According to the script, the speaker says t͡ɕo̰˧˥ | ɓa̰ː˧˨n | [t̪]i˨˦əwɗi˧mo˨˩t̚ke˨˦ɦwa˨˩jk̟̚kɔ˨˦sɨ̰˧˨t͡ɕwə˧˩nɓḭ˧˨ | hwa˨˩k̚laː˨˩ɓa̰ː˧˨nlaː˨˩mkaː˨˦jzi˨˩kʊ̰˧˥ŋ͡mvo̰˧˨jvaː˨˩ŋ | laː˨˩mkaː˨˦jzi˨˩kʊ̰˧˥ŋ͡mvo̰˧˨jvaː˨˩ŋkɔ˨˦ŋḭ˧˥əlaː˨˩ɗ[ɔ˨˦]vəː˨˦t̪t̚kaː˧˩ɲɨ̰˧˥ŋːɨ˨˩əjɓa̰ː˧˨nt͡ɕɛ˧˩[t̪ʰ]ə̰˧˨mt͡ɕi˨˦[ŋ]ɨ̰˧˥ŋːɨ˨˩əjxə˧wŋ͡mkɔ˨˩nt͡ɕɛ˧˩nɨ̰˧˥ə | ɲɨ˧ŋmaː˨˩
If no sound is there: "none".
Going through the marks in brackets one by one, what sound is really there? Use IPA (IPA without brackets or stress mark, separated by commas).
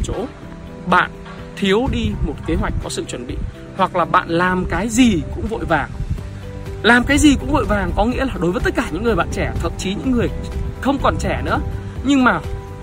t̪ʰ, o˨˦, t̪ʰ, ɲ